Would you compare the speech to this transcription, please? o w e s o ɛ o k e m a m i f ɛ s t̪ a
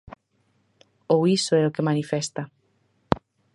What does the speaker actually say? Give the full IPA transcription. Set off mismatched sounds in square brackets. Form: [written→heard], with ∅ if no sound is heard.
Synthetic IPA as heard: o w [e→i] s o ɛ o k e m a [m→n] i f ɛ s t̪ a